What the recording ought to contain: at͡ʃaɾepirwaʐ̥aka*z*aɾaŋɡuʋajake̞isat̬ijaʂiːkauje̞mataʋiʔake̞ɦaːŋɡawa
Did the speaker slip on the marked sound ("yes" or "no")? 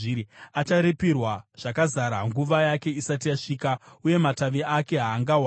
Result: no